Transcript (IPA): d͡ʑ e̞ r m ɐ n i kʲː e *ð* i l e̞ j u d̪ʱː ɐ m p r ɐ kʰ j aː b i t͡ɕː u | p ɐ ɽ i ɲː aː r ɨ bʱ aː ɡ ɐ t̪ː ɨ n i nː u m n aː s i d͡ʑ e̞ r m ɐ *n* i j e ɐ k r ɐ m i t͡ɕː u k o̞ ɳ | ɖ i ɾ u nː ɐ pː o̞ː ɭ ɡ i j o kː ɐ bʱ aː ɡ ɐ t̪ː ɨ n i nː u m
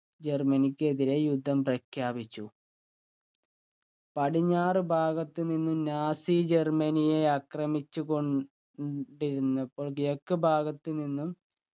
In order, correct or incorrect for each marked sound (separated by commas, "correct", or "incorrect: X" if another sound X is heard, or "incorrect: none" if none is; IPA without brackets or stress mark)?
correct, correct